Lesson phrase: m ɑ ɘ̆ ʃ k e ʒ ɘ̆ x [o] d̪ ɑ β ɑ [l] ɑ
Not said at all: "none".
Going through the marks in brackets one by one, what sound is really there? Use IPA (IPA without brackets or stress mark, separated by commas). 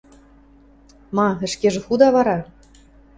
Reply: u, ɾ